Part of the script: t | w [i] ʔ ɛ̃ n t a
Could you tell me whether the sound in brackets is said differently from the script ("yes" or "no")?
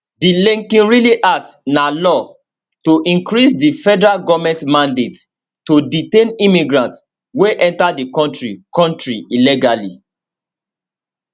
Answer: yes